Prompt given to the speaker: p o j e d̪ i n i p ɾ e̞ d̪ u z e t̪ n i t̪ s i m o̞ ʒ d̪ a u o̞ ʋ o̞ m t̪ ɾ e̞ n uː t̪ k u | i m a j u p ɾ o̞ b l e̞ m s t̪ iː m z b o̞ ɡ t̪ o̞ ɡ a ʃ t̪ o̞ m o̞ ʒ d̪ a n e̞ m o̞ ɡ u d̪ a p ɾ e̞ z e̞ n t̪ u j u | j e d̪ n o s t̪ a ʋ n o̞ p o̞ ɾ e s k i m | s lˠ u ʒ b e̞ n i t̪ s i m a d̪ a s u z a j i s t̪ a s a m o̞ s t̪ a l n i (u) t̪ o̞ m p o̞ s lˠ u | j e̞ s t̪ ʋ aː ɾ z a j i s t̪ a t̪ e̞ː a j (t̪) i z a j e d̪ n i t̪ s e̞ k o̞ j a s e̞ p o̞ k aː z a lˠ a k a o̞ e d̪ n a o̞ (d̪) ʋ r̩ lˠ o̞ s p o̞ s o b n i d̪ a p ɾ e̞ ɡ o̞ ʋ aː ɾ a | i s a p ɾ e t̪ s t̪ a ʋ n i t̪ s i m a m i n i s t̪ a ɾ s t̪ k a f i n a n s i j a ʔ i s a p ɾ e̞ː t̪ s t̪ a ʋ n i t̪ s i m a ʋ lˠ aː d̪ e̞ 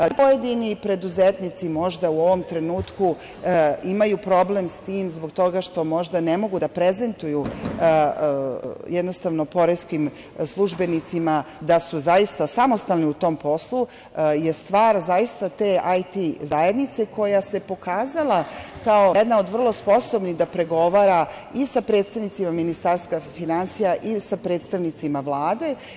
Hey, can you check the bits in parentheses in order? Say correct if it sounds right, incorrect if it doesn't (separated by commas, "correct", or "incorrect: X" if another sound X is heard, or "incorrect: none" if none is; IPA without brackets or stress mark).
correct, correct, correct